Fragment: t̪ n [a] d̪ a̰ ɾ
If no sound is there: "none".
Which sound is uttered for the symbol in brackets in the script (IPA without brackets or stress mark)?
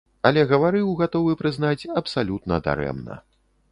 ɐ